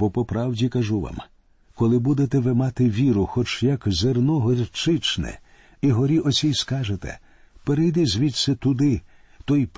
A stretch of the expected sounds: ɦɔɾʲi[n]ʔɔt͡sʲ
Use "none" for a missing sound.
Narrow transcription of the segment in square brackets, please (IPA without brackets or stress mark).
none